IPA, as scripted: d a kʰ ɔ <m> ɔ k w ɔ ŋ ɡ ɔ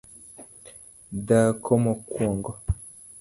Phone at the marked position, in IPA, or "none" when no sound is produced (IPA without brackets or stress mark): m